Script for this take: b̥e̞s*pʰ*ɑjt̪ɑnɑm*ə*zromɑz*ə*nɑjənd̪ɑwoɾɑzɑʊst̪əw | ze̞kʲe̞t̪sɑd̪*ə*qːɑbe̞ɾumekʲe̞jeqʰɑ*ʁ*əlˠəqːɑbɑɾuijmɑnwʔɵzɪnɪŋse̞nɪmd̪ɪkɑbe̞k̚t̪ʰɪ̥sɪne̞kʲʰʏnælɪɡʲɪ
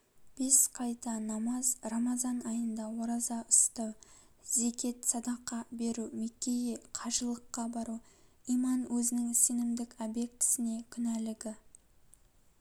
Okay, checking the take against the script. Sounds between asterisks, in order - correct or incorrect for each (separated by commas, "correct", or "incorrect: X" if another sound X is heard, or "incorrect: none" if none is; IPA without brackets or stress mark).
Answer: incorrect: qʰ, incorrect: ɑ, incorrect: ɑ, incorrect: ɑ, incorrect: ʒ